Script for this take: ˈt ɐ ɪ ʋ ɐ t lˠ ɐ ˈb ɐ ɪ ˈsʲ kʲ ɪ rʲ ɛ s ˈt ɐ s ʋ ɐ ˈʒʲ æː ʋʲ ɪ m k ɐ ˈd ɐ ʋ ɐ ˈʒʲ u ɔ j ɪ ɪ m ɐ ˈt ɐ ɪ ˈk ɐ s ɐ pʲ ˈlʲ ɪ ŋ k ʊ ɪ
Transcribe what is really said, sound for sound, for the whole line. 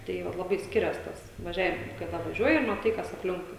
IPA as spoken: ˈt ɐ ɪ ʋ ɐ t lˠ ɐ ˈb ɐ ɪ ˈsʲ kʲ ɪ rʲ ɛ s ˈt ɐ s ʋ ɐ ˈʒʲ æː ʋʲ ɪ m k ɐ ˈd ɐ ʋ ɐ ˈʒʲ u ɔ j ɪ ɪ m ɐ ˈt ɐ ɪ ˈk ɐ s ɐ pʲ ˈlʲ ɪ ŋ k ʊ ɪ